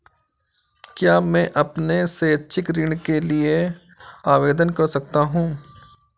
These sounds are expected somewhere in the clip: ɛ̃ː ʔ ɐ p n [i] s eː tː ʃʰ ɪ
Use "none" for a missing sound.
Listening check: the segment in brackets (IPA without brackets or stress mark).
e